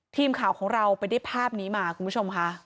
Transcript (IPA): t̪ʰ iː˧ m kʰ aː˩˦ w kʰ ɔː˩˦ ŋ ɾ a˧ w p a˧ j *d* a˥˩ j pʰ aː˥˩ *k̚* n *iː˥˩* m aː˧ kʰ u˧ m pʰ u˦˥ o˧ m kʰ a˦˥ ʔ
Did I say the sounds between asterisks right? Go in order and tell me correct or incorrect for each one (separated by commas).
correct, incorrect, incorrect